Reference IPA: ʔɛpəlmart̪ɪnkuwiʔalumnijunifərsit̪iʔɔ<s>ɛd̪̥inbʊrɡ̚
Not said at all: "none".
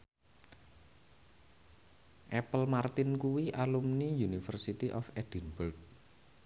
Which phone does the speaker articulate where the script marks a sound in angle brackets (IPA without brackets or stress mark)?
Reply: f